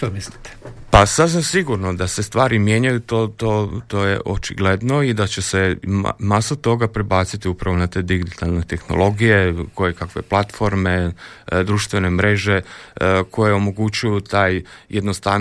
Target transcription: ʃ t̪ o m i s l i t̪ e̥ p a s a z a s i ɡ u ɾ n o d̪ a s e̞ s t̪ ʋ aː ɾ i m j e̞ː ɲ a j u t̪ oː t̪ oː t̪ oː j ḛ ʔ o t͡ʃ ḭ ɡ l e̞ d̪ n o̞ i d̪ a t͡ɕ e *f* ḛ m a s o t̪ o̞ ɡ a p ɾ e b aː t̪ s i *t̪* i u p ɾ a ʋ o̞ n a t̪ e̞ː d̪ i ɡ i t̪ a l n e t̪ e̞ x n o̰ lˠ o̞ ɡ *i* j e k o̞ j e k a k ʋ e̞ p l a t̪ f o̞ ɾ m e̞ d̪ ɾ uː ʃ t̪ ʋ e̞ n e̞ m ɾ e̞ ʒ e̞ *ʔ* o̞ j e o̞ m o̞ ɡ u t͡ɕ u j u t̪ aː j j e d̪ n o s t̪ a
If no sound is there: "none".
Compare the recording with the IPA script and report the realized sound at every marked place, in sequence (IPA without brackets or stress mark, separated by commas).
s, t̪, i, k